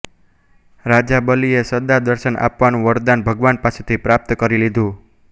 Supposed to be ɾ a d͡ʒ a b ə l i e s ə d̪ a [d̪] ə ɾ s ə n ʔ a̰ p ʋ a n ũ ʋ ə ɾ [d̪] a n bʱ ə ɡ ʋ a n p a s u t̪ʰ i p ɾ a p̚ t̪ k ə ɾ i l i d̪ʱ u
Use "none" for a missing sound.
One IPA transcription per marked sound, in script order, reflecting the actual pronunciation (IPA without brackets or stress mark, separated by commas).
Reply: d̪, d̪